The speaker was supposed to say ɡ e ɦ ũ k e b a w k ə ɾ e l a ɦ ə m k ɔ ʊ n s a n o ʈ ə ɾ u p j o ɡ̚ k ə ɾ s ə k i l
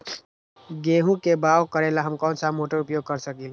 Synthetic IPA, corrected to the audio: ɡ e ɦ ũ k e b a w k ə ɾ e l a ɦ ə m k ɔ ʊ n s a m o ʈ ə ɾ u p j o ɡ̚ k ə ɾ s ə k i l